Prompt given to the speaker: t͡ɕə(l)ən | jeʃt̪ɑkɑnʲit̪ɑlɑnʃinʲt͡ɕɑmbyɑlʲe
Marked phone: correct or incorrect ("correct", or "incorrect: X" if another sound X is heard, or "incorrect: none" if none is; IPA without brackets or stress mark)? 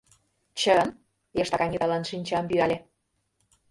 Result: incorrect: none